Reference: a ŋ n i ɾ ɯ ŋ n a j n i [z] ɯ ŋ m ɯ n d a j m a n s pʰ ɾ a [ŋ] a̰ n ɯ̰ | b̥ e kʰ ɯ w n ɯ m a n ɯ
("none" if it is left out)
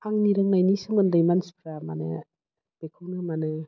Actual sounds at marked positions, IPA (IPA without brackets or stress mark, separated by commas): s, m